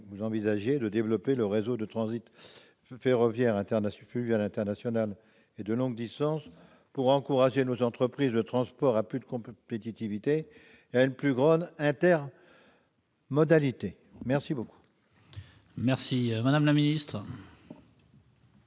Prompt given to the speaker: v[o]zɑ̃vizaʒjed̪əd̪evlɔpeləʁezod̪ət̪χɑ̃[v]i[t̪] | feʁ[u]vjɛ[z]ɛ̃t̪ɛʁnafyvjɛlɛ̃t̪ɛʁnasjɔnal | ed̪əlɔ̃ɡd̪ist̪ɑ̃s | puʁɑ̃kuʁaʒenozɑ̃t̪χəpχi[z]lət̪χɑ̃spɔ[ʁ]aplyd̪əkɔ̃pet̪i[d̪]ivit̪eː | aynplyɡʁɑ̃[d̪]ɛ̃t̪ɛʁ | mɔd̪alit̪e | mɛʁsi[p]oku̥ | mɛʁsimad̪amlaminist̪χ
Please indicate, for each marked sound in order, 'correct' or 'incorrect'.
incorrect, incorrect, correct, incorrect, incorrect, correct, correct, incorrect, correct, incorrect

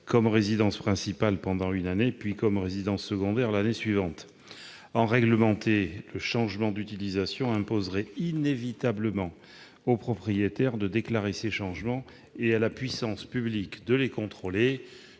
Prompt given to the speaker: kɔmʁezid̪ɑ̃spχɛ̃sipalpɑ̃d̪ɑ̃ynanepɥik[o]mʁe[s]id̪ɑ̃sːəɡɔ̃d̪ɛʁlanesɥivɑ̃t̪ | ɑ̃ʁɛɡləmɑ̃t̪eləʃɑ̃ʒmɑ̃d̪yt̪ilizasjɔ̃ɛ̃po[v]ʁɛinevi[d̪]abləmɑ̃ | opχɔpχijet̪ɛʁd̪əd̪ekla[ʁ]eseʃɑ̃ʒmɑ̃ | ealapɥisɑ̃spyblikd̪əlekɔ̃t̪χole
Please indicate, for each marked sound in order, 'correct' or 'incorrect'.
incorrect, incorrect, incorrect, incorrect, correct

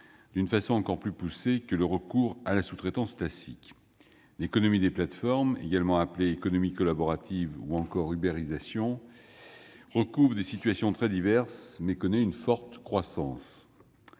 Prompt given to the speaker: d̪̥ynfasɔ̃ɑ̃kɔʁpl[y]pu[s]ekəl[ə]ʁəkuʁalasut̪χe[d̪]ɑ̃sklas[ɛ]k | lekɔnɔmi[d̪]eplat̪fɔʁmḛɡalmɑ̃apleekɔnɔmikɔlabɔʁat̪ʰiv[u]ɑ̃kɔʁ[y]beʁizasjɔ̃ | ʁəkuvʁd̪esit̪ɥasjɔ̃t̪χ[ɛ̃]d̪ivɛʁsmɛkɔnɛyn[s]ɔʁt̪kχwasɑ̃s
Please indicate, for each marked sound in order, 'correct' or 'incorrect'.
correct, correct, correct, incorrect, incorrect, correct, correct, correct, incorrect, incorrect

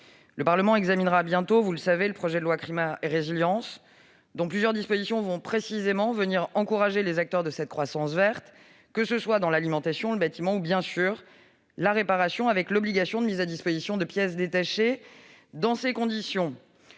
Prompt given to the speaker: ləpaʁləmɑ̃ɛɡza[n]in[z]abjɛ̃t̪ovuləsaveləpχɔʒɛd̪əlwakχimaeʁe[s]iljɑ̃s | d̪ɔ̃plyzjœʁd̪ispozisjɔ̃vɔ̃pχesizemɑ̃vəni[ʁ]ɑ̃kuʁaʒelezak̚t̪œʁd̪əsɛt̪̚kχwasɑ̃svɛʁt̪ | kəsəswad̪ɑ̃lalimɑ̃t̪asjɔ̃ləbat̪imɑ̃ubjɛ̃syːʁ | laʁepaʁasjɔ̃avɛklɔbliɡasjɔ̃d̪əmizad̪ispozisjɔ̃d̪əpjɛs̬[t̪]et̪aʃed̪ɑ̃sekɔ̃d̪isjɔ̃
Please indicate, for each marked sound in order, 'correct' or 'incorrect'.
incorrect, incorrect, incorrect, correct, incorrect

